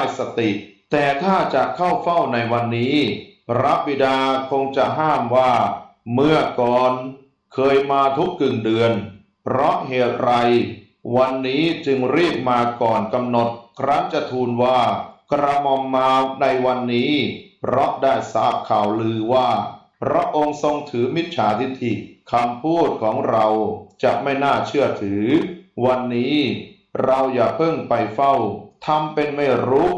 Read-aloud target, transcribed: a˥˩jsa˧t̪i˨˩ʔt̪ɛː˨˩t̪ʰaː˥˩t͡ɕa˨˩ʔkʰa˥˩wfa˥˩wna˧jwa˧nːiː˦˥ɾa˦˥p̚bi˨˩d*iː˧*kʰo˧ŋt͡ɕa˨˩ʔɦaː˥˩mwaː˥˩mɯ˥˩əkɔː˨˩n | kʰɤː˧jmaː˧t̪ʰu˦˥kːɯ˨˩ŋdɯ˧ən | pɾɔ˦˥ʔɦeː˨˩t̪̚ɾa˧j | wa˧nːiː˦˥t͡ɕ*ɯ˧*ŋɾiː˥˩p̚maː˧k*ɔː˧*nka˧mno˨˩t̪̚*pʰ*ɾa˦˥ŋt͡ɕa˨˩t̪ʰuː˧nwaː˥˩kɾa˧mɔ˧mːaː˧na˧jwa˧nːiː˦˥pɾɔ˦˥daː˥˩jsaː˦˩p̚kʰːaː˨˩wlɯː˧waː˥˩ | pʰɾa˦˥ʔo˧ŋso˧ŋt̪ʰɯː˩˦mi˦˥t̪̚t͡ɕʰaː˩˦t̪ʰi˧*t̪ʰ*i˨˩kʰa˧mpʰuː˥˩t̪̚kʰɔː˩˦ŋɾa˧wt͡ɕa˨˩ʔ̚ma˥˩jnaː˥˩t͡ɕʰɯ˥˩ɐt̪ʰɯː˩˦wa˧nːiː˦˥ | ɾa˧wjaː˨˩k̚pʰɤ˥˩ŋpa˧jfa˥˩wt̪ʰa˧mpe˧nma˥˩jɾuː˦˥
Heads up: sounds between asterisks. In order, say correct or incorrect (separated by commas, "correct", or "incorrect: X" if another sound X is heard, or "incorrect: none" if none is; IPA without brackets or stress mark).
incorrect: aː˧, correct, incorrect: ɔː˨˩, incorrect: kʰ, correct